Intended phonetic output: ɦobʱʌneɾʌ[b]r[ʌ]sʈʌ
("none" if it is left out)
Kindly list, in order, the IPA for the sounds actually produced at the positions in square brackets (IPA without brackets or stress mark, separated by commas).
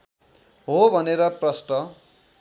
p, ʌ